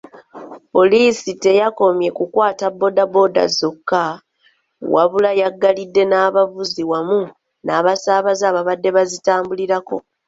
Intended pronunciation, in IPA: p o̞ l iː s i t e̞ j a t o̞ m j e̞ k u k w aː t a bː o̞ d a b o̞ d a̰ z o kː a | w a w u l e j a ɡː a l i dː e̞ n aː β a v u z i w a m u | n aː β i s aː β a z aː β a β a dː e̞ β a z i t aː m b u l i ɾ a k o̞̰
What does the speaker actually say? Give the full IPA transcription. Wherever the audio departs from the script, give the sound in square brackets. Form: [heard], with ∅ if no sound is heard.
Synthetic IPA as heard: p o̞ l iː s i t e̞ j a [k] o̞ m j e̞ k u k w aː t a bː o̞ d a b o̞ d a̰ z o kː a | w a [β] u l [a] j a ɡː a l i dː e̞ n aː β a v u z i w a m u | n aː β [a] s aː β a z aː β a β a dː e̞ β a z i t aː m b u l i ɾ a k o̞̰